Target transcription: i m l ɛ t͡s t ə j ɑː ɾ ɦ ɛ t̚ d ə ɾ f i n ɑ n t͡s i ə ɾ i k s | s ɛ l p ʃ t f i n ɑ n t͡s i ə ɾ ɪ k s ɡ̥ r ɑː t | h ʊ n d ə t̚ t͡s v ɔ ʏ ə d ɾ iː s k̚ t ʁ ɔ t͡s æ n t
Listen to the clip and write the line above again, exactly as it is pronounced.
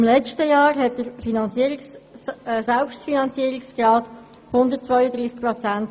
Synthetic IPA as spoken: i m l ɛ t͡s t ə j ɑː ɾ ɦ ɛ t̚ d ə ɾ f i n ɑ n t͡s i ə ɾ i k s | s ɛ l p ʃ t f i n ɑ n t͡s i ə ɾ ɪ k s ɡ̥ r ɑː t | h ʊ n d ə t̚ t͡s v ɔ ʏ ə d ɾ iː s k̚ p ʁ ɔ t͡s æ n t